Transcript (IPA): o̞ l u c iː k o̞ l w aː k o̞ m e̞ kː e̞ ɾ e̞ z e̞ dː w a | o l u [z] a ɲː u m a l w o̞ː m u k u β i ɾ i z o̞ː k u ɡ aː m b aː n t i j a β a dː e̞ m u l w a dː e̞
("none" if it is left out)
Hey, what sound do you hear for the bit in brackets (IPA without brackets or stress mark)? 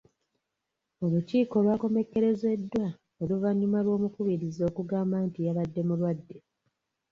v